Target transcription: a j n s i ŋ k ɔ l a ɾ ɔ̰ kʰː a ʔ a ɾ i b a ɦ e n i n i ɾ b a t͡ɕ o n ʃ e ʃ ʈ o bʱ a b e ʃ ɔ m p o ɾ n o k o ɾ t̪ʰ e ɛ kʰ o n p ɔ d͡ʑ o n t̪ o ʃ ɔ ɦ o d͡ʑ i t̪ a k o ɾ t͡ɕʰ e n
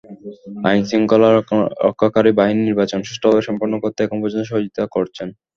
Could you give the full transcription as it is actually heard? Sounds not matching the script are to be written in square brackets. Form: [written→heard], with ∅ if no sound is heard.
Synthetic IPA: a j n s i ŋ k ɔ l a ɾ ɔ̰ kʰː a [ʔ→k] a ɾ i b a ɦ [e→i] n i n i ɾ b a t͡ɕ o n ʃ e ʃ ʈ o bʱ a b e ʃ ɔ m p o ɾ n o k o ɾ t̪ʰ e ɛ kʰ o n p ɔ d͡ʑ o n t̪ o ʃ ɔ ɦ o d͡ʑ i t̪ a k o ɾ t͡ɕʰ e n